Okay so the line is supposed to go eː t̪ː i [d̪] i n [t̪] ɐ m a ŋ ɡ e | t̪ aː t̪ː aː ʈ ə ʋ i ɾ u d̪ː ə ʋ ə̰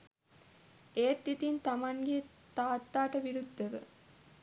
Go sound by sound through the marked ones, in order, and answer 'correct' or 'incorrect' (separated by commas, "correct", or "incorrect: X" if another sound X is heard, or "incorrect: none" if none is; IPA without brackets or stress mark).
incorrect: t̪, correct